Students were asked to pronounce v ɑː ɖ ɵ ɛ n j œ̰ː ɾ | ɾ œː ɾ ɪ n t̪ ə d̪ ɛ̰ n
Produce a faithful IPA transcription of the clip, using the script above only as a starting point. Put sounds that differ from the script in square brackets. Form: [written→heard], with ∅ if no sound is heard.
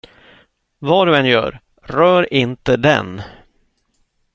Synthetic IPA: v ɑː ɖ ɵ ɛ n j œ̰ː ɾ | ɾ œː ɾ ɪ n t̪ ə d̪ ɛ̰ n